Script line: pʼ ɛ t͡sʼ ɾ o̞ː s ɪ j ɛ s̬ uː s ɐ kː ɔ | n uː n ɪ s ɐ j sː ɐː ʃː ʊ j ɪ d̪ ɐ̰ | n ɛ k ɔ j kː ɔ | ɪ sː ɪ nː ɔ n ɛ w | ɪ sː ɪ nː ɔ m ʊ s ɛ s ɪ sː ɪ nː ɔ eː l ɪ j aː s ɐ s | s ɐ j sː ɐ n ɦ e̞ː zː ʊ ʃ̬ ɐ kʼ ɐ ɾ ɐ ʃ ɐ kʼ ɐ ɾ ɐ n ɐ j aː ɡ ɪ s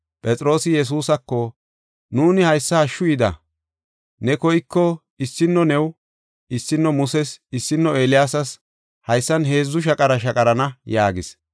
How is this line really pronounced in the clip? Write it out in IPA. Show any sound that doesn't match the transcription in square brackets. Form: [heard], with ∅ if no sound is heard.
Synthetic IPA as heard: pʼ ɛ t͡sʼ ɾ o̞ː s ɪ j ɛ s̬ uː s ɐ kː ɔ | n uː n ɪ [h] ɐ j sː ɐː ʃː ʊ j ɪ d̪ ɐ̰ | n ɛ k ɔ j kː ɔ | ɪ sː ɪ nː ɔ n ɛ w | ɪ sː ɪ nː ɔ m ʊ s ɛ s ɪ sː ɪ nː ɔ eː l ɪ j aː s ɐ s | [h] ɐ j sː ɐ n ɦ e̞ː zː ʊ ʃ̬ ɐ kʼ ɐ ɾ ɐ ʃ ɐ kʼ ɐ ɾ ɐ n ɐ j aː ɡ ɪ s